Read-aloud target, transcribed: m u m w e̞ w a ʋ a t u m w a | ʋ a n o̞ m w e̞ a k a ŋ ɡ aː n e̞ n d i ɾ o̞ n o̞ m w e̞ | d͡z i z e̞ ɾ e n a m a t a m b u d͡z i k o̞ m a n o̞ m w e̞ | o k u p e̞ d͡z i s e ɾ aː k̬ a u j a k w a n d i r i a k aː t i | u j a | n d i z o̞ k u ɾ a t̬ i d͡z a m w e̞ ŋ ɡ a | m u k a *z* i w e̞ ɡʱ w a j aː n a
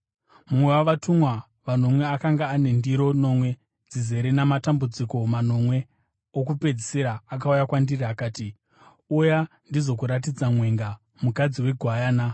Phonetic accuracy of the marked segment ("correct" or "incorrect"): incorrect